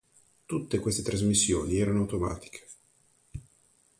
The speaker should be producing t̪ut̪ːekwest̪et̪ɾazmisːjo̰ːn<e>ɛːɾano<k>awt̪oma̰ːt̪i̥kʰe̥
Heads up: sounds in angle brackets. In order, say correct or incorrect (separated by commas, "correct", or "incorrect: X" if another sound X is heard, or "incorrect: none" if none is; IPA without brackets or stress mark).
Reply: incorrect: i, incorrect: none